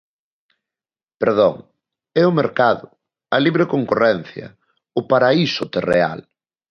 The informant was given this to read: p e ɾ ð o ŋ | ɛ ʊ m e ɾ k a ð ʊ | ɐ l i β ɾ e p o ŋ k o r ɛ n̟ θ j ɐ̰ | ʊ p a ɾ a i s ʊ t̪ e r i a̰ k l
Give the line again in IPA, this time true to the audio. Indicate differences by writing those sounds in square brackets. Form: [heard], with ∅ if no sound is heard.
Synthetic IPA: p e ɾ ð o ŋ | ɛ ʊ m e ɾ k a ð ʊ | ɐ l i β ɾ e [k] o ŋ k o r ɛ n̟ θ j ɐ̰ | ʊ p a ɾ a i s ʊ t̪ e r [e] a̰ [∅] l